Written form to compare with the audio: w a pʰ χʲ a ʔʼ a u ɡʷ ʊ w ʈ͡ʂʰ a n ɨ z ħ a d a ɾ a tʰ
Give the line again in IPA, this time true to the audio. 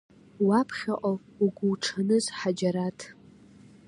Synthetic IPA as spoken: w a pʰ χʲ a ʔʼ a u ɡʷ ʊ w ʈ͡ʂʰ a n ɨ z ħ a d͡ʒ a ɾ a tʰ